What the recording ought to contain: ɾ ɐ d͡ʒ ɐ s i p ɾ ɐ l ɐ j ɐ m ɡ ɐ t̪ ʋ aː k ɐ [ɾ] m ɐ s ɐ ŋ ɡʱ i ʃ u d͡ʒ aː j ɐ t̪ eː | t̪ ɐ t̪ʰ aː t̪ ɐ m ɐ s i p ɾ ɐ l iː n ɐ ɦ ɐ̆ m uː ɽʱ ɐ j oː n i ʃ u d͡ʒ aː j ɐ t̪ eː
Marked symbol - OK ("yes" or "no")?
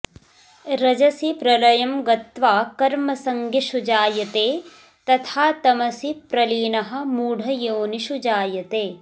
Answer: yes